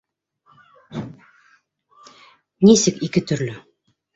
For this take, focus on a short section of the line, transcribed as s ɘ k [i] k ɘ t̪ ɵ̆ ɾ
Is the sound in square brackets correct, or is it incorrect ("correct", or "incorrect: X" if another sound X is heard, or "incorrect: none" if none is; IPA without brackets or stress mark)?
correct